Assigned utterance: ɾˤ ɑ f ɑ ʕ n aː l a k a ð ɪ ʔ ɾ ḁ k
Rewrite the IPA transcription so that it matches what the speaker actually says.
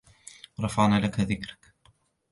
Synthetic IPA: ɾˤ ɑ f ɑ ʕ n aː l a k a ð ɪ k ɾ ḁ k